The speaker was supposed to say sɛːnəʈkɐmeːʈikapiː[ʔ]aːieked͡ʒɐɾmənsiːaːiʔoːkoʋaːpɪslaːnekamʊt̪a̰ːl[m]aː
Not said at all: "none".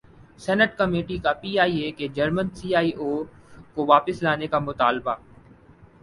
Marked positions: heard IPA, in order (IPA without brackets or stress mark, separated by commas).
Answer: none, b